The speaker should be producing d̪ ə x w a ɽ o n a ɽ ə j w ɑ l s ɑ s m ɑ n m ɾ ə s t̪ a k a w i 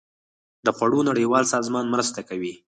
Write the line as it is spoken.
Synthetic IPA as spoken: d̪ ə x w a ɽ o n a ɽ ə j w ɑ l s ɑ z m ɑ n m ɾ ə s t̪ a k a w i